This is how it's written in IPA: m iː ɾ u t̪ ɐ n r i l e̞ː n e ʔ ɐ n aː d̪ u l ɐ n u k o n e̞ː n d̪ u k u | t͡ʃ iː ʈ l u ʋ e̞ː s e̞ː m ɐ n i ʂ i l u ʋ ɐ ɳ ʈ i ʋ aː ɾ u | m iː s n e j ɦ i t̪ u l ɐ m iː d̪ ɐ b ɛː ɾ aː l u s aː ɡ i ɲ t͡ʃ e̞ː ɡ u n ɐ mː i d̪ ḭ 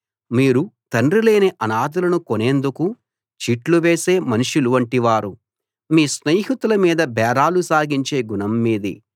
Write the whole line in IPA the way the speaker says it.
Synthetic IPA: m iː ɾ u t̪ ɐ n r i l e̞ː n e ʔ ɐ n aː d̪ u l ɐ n u k o n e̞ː n d̪ u k u | t͡ʃ iː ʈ l u ʋ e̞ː s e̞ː m ɐ n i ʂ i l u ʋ ɐ ɳ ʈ i ʋ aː ɾ u | m iː s n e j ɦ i t̪ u l ɐ m iː d̪ ɐ b ɛː ɾ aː l u s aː ɡ i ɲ t͡ʃ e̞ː ɡ u n ɐ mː iː d̪ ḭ